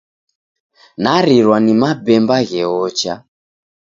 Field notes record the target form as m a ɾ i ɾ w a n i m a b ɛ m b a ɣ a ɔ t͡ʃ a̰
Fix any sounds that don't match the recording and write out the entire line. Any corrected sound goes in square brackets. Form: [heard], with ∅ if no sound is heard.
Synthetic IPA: [n] a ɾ i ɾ w a n i m a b ɛ m b a ɣ [ɛ] ɔ t͡ʃ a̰